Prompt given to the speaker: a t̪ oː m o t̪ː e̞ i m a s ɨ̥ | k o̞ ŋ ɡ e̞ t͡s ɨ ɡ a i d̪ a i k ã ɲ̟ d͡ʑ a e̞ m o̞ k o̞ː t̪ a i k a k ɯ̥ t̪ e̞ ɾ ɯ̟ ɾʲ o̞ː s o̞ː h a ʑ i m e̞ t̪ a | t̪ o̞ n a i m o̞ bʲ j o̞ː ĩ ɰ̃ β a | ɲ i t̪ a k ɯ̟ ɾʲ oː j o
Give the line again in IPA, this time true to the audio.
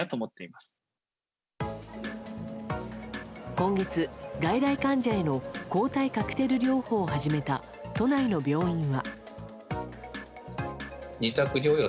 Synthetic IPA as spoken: a t̪ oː m o t̪ː e̞ i m a s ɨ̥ | k õ̞ ŋ ɡ e̞ t͡s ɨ ɡ a i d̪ a i k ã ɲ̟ d͡ʑ a e̞ n o̞ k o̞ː t̪ a i k a k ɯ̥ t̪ e̞ ɾ ɯ̟ ɾʲ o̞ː h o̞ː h a ʑ i m e̞ t̪ a | t̪ o̞ n a i n o̞ bʲ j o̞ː ĩ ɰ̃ β a | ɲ i t̪ a k ɯ̟ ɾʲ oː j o